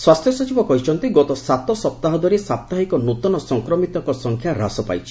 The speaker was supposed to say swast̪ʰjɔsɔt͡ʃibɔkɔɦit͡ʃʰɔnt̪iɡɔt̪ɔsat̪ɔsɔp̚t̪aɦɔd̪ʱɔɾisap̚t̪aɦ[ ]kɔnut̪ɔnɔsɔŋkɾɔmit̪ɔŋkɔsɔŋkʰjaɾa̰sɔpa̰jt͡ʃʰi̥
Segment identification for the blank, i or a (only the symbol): i